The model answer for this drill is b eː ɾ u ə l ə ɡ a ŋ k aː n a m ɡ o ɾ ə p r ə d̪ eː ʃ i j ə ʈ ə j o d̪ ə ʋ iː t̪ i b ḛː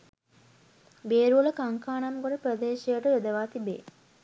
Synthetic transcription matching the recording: b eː ɾ u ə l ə k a ŋ k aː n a m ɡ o ɾ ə p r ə d̪ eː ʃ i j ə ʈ ə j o d̪ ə ʋ aː t̪ i b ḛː

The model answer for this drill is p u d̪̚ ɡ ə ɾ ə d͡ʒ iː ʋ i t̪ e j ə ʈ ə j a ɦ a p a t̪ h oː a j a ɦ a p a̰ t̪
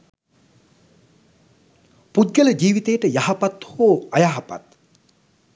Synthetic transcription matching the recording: p u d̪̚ ɡ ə l ə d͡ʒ iː ʋ i t̪ e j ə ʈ ə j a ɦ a p a t̪ h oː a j a ɦ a p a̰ t̪

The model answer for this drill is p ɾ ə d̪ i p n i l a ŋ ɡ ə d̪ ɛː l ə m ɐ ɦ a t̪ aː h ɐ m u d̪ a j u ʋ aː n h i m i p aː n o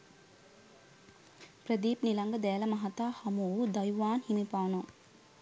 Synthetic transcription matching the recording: p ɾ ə d̪ iː p n i l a ŋ ɡ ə d̪ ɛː l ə m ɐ ɦ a t̪ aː h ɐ m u d̪ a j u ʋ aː n h i m i p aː n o

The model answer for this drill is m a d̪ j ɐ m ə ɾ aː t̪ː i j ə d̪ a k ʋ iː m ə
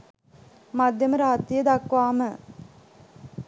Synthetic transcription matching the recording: m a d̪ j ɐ m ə ɾ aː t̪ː i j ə d̪ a k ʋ aː m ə

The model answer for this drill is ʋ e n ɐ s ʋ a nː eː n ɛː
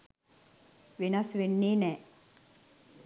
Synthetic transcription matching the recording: ʋ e n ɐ s ʋ e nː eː n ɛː

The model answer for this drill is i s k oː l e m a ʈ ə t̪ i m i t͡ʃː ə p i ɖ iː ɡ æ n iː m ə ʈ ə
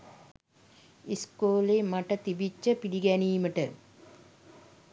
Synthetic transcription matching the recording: i s k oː l e m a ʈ ə t̪ i b i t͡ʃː ə p i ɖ i ɡ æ n iː m ə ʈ ə

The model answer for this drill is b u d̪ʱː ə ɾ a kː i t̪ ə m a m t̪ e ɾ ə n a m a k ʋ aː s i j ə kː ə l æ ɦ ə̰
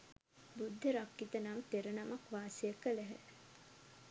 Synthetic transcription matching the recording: b u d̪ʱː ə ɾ a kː i t̪ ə n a m t̪ e ɾ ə n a m a k ʋ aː s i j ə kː ə l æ ɦ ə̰

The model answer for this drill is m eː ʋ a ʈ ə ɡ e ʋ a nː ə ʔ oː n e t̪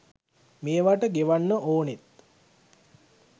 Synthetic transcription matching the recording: m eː ʋ a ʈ ə ɡ e ʋ a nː ə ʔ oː n e t̪

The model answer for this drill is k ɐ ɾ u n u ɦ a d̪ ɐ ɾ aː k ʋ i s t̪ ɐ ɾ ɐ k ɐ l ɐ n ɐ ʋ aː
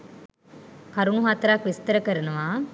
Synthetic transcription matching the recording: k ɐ ɾ u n u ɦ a t̪ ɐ ɾ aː k ʋ i s t̪ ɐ ɾ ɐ k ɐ ɾ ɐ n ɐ ʋ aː

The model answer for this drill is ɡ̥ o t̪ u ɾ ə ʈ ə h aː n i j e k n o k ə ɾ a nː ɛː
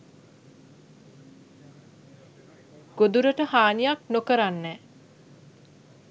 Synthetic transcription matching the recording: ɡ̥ o d̪ u ɾ ə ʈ ə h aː n i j a k n o k ə ɾ a nː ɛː

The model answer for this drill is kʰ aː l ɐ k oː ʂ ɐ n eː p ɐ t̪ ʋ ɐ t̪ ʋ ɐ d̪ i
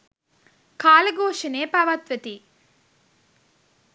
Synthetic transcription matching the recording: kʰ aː l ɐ ɡ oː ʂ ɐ n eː p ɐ ʋ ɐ t̪ ʋ ɐ t̪ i

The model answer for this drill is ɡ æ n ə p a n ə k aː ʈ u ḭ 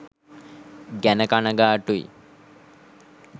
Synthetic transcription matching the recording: ɡ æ n ə k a n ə ɡ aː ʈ u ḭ

